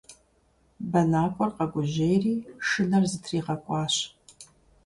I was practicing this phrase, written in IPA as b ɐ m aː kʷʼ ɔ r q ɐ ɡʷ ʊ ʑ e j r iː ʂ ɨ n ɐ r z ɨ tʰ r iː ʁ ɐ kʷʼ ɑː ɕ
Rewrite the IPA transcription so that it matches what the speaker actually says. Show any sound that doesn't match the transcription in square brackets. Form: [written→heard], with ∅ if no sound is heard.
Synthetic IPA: b ɐ [m→n] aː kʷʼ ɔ r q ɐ ɡʷ ʊ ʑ e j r iː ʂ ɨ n ɐ r z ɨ tʰ r iː ʁ ɐ kʷʼ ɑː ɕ